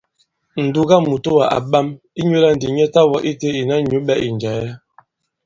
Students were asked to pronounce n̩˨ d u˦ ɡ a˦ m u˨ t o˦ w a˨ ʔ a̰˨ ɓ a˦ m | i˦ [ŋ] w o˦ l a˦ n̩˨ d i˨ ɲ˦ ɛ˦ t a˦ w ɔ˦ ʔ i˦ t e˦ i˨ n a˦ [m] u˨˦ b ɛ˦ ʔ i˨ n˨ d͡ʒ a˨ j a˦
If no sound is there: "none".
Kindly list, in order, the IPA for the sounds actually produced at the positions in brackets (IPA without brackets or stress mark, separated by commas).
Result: ɲ, ɲ